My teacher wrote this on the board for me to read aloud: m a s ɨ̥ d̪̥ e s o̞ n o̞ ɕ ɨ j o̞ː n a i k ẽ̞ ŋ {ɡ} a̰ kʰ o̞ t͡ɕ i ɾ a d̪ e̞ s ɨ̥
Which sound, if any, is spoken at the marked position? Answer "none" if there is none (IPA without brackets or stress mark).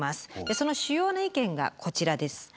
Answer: ɡ